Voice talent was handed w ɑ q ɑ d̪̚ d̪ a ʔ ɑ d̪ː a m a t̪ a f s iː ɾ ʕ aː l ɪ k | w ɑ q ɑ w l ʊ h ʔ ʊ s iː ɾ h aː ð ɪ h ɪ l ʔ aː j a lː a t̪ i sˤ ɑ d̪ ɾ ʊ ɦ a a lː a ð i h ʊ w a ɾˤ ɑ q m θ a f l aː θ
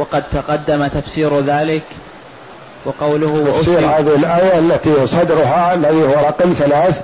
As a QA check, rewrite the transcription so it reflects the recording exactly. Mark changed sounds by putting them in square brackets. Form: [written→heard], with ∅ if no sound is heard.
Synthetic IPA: w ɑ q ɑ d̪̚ [d̪→t̪] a [ʔ→q] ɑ d̪ː a m a t̪ a f s iː ɾ [ʕ→ð] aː l ɪ k | w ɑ q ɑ w l ʊ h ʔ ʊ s iː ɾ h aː ð ɪ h ɪ l ʔ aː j a lː a t̪ i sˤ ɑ d̪ ɾ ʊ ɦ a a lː a ð i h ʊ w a ɾˤ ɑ q m θ a [f→∅] l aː θ